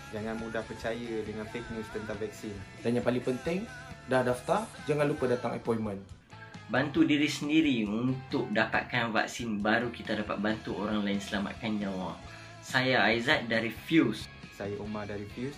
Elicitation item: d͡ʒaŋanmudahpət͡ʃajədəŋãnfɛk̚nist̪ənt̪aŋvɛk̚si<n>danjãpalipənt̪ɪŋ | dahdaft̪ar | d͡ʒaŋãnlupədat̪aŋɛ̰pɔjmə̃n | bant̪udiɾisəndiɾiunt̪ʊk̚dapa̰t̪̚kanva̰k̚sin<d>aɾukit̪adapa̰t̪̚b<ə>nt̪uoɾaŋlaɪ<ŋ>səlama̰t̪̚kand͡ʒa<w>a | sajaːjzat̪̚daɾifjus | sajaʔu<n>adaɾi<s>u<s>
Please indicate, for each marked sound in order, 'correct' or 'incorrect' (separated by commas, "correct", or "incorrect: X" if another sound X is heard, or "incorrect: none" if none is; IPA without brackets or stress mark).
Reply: correct, incorrect: b, incorrect: a, incorrect: n, correct, incorrect: m, incorrect: f, correct